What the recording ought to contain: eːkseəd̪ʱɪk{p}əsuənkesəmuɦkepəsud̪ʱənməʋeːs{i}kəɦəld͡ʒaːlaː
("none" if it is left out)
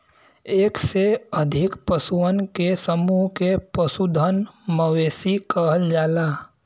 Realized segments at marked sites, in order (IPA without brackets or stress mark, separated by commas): p, i